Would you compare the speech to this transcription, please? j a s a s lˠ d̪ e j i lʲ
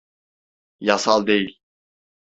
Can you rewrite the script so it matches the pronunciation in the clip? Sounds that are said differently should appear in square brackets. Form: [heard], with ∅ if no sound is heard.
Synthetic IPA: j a s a [∅] lˠ d̪ e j i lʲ